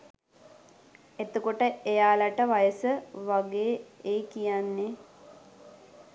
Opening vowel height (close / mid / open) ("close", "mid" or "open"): mid